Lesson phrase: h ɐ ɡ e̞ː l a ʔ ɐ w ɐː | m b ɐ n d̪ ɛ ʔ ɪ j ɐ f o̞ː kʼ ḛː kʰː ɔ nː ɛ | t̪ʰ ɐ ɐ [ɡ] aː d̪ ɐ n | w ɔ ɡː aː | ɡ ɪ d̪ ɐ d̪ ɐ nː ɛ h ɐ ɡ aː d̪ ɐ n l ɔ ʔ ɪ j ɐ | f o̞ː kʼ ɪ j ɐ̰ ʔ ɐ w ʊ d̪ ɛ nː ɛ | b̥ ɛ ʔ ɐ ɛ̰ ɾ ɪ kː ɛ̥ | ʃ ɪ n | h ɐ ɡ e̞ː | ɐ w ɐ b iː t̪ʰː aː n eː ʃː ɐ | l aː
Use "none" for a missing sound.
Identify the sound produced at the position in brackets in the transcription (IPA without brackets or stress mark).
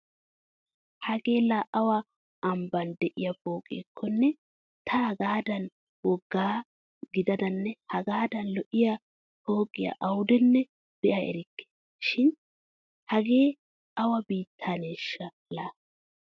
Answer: ɡ